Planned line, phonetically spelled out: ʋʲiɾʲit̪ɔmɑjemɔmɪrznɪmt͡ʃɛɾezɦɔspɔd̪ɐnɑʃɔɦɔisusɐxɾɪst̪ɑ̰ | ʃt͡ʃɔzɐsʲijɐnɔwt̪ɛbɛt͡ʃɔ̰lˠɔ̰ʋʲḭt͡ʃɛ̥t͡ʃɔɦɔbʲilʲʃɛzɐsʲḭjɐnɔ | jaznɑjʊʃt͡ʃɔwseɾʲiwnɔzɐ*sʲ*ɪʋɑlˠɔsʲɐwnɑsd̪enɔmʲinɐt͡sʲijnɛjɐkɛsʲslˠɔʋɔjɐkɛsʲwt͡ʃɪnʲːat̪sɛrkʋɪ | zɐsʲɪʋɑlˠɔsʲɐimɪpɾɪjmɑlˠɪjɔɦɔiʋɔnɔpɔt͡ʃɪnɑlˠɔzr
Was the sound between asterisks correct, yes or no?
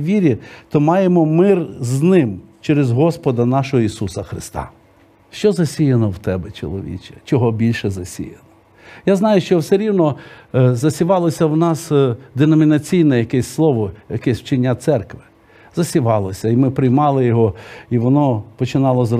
yes